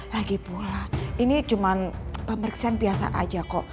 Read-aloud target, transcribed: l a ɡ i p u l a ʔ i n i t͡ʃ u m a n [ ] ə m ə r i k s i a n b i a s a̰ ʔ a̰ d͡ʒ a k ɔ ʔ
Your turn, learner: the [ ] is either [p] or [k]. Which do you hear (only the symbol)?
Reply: p